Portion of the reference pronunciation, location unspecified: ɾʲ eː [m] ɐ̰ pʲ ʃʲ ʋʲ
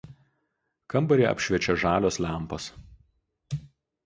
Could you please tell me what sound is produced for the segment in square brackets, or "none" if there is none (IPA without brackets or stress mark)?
none